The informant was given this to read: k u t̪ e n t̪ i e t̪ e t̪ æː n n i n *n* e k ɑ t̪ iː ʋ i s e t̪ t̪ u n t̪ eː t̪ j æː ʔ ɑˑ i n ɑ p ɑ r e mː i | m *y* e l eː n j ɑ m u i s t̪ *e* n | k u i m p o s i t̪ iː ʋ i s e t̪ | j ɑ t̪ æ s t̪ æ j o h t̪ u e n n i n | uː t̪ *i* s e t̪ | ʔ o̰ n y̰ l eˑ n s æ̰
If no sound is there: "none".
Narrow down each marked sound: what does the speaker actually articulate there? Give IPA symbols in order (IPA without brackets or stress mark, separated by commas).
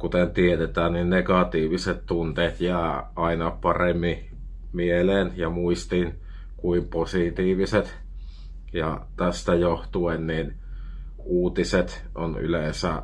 n, i, i, i